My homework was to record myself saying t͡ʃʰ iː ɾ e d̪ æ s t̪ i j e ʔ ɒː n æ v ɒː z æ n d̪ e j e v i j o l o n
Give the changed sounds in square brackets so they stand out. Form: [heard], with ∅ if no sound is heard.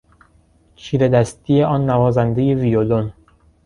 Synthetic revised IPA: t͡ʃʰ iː ɾ e d̪ æ s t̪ i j e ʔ ɒː [nː] æ v ɒː z æ n d̪ e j e v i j o l o n